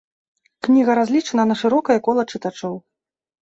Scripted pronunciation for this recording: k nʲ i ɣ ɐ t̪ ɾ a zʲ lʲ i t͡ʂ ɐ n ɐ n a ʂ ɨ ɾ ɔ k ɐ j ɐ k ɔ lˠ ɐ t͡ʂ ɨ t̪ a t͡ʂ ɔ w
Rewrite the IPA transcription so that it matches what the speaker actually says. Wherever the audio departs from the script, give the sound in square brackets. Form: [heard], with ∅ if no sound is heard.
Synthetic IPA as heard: k nʲ i ɣ ɐ [∅] ɾ a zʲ lʲ i t͡ʂ ɐ n ɐ n [ɐ] ʂ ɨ ɾ ɔ k ɐ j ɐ k ɔ lˠ ɐ t͡ʂ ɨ t̪ a t͡ʂ ɔ w